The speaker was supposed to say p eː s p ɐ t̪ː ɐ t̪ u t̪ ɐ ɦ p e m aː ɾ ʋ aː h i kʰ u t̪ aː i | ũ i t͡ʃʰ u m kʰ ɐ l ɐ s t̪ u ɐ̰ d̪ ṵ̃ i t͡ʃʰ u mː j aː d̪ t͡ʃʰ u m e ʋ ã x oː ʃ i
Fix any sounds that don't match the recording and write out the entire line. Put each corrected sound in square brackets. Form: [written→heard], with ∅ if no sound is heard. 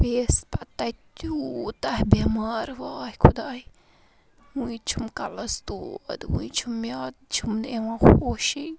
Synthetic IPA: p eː s p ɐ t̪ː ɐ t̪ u t̪ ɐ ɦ [p→b] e m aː ɾ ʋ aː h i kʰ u [t̪→d̪] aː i | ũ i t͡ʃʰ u m [kʰ→k] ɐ l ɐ s t̪ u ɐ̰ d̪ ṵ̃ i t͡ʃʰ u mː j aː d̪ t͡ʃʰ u m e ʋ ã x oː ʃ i